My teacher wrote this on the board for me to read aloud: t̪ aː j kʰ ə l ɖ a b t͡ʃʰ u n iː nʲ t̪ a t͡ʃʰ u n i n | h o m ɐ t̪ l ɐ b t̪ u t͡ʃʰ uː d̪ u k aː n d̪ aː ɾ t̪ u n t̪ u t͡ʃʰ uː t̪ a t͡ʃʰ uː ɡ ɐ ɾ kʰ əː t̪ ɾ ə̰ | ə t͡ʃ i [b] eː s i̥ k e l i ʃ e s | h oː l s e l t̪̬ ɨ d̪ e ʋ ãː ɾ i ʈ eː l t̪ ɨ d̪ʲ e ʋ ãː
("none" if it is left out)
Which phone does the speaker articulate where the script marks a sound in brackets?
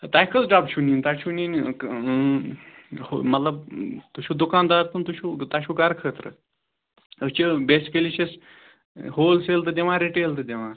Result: b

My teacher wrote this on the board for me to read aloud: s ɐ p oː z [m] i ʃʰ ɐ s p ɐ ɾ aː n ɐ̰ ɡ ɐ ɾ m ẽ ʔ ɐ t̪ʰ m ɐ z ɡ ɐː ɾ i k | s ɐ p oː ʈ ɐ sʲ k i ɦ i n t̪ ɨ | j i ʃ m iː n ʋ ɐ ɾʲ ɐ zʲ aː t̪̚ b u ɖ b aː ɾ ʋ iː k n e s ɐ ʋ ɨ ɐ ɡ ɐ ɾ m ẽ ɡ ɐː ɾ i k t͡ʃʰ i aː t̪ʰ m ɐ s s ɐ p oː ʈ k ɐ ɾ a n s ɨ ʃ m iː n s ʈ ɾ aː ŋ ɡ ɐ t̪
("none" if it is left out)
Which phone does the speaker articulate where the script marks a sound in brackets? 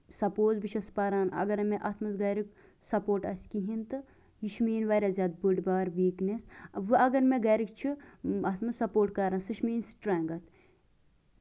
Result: b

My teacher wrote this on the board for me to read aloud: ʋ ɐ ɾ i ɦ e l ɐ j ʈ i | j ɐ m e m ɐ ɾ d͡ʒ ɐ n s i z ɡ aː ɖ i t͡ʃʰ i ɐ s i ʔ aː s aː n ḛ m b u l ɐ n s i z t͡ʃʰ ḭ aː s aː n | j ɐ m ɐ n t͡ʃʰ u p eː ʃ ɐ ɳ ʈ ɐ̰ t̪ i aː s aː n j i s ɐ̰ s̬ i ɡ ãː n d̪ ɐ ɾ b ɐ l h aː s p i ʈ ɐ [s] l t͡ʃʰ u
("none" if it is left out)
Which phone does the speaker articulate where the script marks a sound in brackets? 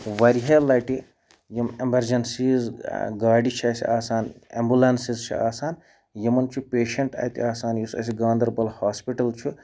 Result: none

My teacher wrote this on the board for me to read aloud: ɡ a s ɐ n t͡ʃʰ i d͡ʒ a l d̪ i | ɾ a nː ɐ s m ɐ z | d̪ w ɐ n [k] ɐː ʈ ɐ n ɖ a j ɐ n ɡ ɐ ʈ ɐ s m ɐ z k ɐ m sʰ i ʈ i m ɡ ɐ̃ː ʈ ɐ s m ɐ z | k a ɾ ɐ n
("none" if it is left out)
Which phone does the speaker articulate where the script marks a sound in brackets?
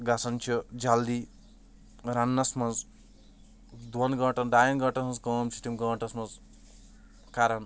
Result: ɡ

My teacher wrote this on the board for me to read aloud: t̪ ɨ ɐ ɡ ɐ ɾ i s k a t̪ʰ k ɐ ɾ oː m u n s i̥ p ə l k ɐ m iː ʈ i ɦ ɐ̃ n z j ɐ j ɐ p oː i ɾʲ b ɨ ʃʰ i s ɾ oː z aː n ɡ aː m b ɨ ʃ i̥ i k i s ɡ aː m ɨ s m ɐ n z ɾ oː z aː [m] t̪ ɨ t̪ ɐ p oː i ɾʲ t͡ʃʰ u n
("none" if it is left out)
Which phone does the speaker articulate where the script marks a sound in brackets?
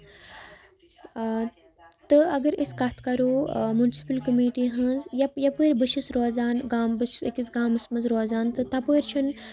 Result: n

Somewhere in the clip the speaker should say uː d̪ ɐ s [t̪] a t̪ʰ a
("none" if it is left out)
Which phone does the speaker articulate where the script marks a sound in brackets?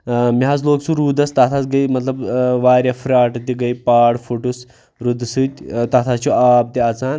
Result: t̪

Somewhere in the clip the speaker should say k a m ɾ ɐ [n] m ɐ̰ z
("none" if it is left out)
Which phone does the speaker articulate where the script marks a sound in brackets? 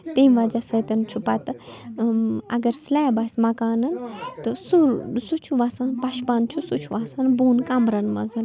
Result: n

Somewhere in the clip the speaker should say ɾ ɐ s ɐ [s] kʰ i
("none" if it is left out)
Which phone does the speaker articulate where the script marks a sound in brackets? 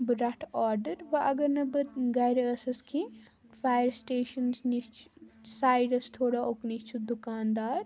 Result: s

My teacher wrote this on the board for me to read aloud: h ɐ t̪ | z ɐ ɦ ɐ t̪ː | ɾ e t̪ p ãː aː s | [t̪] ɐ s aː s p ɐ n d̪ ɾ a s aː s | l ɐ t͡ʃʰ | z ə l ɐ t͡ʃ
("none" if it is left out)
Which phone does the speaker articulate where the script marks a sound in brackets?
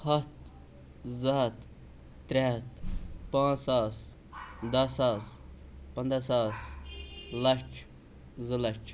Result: d̪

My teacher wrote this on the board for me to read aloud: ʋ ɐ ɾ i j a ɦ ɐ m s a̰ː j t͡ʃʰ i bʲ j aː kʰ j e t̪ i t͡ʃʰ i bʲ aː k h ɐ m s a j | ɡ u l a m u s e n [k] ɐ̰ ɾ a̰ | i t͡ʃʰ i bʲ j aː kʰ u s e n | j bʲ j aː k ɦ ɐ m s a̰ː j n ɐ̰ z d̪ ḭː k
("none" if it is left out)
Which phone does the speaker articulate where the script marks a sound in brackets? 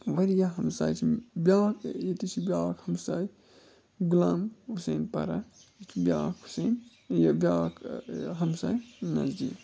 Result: p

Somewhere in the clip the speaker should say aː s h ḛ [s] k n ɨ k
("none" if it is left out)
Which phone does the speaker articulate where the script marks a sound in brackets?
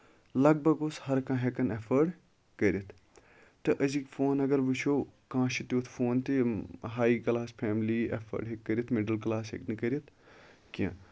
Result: none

